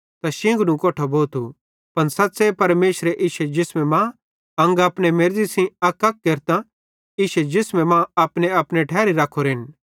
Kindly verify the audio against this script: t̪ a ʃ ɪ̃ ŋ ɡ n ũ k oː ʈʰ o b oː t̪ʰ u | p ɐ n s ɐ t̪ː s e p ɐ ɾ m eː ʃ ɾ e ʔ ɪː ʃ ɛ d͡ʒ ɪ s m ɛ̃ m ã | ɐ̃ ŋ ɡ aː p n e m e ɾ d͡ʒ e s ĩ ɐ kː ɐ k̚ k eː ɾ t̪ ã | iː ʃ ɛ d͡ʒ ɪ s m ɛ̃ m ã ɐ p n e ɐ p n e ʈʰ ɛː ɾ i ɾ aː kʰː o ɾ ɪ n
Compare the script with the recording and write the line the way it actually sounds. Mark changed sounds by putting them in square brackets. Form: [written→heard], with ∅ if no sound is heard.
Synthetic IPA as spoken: t̪ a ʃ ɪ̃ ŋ ɡ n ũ k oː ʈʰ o b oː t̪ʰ u | p ɐ n s ɐ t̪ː s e p ɐ ɾ m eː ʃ ɾ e ʔ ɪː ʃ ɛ d͡ʒ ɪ s m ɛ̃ m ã | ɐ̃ ŋ ɡ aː p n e m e ɾ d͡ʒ [e→i] s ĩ ɐ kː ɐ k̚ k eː ɾ t̪ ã | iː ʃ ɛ d͡ʒ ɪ s m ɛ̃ m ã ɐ p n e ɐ p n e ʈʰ ɛː ɾ i ɾ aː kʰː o ɾ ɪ n

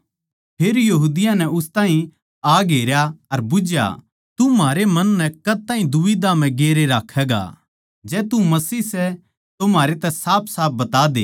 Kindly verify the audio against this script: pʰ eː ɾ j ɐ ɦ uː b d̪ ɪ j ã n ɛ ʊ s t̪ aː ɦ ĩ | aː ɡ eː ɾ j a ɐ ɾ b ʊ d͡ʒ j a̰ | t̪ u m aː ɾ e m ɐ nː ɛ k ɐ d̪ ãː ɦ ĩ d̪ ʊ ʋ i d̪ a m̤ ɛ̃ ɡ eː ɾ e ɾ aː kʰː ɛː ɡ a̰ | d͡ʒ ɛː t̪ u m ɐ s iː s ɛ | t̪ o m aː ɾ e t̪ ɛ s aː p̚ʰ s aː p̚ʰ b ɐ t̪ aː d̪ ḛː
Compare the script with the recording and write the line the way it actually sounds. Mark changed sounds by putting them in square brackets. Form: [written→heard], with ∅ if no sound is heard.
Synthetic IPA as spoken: pʰ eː ɾ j ɐ ɦ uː [b→∅] d̪ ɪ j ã n ɛ ʊ s t̪ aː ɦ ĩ | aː ɡ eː ɾ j a ɐ ɾ b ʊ d͡ʒ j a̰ | t̪ u m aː ɾ e m ɐ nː ɛ k ɐ [d̪→t̪] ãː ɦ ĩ d̪ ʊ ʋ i d̪ a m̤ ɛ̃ ɡ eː ɾ e ɾ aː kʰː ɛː ɡ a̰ | d͡ʒ ɛː t̪ u m ɐ s iː s ɛ | t̪ o m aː ɾ e t̪ ɛ s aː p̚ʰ s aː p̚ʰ b ɐ t̪ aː d̪ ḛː

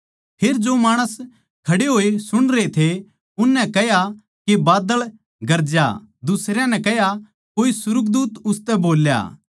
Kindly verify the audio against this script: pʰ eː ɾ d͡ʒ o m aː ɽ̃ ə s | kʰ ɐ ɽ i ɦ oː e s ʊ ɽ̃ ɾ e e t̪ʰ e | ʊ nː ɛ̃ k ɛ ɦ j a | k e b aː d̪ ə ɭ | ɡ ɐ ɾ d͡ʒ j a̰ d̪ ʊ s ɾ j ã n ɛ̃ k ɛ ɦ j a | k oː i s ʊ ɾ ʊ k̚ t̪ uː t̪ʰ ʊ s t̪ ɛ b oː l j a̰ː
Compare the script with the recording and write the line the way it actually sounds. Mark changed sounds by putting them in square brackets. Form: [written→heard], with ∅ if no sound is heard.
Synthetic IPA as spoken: pʰ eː ɾ d͡ʒ o m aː ɽ̃ ə s | kʰ ɐ ɽ [i→e] ɦ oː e s ʊ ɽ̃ ɾ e e t̪ʰ e | ʊ nː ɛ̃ k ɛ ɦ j a | k e b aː d̪ ə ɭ | ɡ ɐ ɾ d͡ʒ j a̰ d̪ ʊ s ɾ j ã n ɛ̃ k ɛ ɦ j a | k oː i s ʊ ɾ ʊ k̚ [t̪→d̪] uː [t̪ʰ→t̪] ʊ s t̪ ɛ b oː l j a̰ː

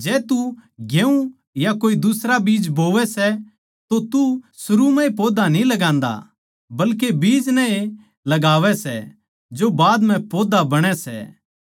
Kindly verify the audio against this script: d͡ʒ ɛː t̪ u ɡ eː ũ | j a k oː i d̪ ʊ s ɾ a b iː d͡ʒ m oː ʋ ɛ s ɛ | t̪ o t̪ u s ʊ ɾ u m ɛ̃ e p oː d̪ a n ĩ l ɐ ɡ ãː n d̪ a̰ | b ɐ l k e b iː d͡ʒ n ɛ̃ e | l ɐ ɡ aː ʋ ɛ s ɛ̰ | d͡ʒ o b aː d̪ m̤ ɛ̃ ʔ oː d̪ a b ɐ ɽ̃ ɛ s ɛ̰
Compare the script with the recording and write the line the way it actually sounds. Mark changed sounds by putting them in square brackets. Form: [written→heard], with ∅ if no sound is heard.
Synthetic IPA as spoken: d͡ʒ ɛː t̪ u ɡ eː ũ | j a k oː i d̪ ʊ s ɾ a b iː d͡ʒ [m→b] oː ʋ ɛ s ɛ | t̪ o t̪ u s ʊ ɾ u m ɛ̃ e p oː d̪ a n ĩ l ɐ ɡ ãː n d̪ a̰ | b ɐ l k e b iː d͡ʒ n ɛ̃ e | l ɐ ɡ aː ʋ ɛ s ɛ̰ | d͡ʒ o b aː d̪ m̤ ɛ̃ [ʔ→p] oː d̪ a b ɐ ɽ̃ ɛ s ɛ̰

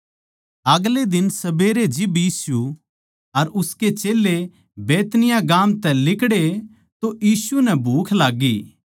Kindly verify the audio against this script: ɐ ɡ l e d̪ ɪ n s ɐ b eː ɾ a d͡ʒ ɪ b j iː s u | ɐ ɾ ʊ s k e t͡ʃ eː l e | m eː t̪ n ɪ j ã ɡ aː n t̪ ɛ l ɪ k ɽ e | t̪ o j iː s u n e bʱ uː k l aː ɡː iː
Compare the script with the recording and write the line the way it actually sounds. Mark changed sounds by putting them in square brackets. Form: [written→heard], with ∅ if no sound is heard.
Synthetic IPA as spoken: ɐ ɡ l e d̪ ɪ n s ɐ b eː ɾ [a→e] d͡ʒ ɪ b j iː s u | ɐ ɾ ʊ s k e t͡ʃ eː l e | [m→b] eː t̪ n ɪ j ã ɡ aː [n→m] t̪ ɛ l ɪ k ɽ e | t̪ o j iː s u n [e→ɛ] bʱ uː [k→kʰ] l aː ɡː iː

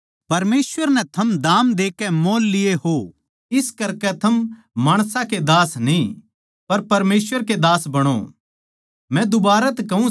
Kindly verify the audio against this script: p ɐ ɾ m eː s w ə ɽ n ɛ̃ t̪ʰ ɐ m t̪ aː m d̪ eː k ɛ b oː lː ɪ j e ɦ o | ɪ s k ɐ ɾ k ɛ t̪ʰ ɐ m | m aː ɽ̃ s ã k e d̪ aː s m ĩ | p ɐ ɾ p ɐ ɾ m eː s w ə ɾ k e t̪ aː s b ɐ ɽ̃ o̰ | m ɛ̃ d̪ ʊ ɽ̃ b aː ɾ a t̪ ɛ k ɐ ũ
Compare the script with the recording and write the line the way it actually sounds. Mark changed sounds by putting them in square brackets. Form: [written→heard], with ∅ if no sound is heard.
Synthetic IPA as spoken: p ɐ ɾ m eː s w ə [ɽ→ɾ] n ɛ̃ t̪ʰ ɐ m [t̪→d̪] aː m d̪ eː k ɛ [b→m] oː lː ɪ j e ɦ o | ɪ s k ɐ ɾ k ɛ t̪ʰ ɐ m | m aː ɽ̃ s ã k e d̪ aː s [m→n] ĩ | p ɐ ɾ p ɐ ɾ m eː s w ə ɾ k e [t̪→d̪] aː s b ɐ ɽ̃ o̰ | m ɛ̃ d̪ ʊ [ɽ̃→∅] b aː ɾ a t̪ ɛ k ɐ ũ

